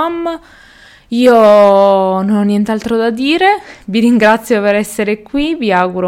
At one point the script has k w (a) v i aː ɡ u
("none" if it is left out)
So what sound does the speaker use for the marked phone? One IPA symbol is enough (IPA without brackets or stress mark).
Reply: i